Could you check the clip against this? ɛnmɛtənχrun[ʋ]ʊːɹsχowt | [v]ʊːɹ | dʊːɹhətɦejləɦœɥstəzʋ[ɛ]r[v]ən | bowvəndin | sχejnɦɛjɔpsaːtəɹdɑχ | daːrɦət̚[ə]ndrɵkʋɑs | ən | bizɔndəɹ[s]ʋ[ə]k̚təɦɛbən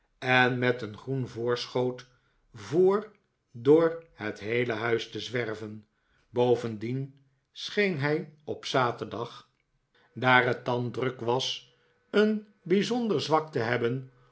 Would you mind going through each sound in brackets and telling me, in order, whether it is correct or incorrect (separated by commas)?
incorrect, correct, correct, correct, incorrect, incorrect, incorrect